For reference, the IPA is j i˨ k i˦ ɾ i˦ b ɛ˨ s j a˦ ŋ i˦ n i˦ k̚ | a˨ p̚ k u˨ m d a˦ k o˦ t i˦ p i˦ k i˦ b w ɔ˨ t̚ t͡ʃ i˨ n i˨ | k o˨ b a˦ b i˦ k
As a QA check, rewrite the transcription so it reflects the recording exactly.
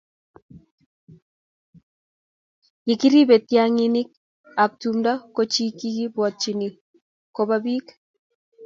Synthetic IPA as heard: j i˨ k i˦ ɾ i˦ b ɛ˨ t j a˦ ŋ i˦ n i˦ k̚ | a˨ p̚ t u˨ m d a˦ k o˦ t͡ʃ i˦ k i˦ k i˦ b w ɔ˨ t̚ t͡ʃ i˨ n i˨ | k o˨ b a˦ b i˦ k